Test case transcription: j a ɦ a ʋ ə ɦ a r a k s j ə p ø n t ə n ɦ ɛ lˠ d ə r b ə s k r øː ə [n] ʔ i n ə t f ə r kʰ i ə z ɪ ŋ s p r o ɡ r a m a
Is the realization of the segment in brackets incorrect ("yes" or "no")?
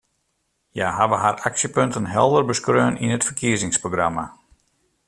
no